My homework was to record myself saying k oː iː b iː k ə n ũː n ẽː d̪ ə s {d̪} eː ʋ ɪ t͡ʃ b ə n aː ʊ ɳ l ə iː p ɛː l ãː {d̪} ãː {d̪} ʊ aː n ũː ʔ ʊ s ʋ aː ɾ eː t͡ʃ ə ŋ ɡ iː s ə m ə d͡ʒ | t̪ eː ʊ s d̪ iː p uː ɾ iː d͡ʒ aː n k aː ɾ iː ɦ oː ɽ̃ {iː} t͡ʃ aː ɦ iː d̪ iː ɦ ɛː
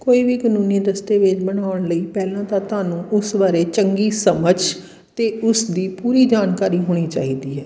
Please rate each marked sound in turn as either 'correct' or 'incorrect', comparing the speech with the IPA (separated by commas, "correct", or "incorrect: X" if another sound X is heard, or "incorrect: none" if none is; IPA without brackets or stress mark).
incorrect: t̪, incorrect: t̪, incorrect: t̪, correct